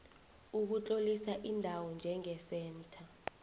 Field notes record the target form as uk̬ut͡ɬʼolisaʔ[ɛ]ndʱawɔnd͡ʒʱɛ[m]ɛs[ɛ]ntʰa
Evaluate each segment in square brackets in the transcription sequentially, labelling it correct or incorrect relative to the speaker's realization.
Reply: incorrect, incorrect, incorrect

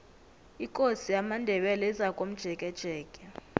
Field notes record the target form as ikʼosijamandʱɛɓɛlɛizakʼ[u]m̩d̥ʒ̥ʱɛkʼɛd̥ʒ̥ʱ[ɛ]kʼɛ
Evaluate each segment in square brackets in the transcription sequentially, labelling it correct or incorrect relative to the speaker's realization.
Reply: incorrect, incorrect

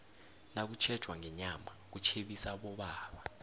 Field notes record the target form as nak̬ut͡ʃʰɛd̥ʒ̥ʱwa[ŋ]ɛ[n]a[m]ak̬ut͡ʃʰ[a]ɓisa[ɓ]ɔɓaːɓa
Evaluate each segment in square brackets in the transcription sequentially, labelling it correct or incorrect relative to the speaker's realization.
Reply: correct, incorrect, correct, incorrect, correct

